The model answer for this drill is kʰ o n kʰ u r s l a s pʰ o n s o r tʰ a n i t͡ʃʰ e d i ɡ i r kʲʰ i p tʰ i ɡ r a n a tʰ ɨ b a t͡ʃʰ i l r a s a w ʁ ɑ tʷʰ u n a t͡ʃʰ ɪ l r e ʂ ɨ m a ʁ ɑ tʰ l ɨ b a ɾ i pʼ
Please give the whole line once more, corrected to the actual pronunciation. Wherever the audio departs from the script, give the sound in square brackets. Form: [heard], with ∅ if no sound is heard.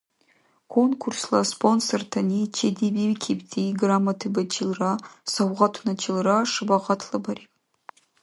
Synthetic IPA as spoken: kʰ o n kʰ u r s l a s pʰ o n s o r tʰ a n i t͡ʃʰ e d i [b] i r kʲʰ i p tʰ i ɡ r a [m] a tʰ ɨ b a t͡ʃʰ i l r a s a w ʁ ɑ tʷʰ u n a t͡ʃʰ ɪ l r [a] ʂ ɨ [b] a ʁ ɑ tʰ l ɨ b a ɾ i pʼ